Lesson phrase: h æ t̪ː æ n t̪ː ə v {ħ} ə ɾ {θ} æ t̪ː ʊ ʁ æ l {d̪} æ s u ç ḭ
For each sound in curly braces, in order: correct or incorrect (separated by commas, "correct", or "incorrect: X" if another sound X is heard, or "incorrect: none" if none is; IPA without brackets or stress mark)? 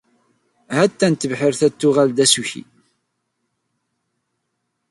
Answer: correct, correct, correct